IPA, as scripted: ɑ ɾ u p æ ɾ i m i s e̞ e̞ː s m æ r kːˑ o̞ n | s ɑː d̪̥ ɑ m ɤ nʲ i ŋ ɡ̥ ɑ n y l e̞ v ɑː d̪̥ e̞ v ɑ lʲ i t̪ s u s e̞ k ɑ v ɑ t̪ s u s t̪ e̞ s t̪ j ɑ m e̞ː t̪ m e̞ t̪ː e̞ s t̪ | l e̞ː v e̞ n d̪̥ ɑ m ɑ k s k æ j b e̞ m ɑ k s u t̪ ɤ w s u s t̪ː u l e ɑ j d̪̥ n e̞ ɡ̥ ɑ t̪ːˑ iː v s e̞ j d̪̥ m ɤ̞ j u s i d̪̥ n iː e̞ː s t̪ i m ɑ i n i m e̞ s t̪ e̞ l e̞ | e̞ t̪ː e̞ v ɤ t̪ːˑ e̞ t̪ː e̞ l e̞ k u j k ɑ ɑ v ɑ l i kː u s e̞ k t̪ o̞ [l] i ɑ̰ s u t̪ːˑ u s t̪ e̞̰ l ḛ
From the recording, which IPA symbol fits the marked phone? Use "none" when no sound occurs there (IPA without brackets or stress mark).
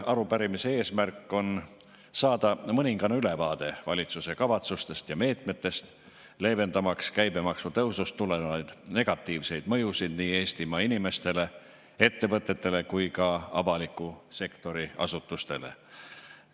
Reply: ɾ